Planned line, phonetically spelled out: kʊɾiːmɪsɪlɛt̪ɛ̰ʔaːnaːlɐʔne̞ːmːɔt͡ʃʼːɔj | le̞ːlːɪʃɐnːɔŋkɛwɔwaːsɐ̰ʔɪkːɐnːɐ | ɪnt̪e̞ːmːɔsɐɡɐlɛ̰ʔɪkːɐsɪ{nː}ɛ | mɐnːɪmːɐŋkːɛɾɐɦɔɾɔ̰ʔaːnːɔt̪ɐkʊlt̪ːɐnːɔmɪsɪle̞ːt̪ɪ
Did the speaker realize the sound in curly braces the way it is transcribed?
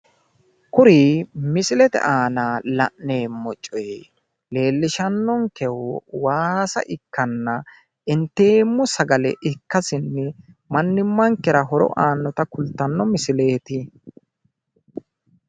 yes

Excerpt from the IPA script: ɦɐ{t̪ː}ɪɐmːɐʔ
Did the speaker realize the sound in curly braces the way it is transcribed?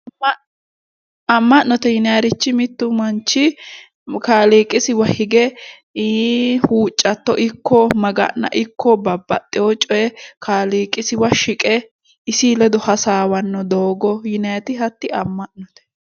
yes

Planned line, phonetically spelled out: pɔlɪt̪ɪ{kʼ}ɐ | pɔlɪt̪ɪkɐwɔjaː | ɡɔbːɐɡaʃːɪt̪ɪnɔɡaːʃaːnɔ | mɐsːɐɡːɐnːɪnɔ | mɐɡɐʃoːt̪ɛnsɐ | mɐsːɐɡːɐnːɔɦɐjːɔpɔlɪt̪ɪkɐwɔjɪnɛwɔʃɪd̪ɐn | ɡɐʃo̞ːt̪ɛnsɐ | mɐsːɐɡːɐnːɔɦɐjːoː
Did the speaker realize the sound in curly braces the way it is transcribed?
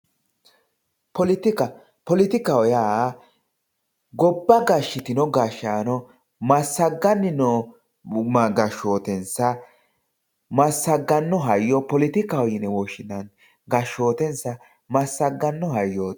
no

